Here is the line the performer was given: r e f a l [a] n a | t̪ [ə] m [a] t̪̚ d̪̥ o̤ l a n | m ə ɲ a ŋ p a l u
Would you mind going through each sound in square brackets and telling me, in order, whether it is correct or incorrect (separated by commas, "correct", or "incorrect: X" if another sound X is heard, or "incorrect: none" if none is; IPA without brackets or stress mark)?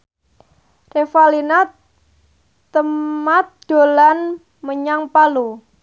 incorrect: i, correct, correct